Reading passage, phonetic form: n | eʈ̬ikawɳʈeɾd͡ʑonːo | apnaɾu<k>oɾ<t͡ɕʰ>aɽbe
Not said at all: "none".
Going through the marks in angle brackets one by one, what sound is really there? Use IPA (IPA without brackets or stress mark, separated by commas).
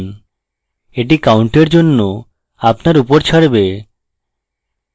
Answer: p, t͡ɕʰ